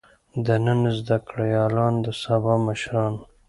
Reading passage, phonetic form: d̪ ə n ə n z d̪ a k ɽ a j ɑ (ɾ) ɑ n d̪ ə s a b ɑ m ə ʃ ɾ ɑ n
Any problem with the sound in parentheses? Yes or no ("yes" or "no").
yes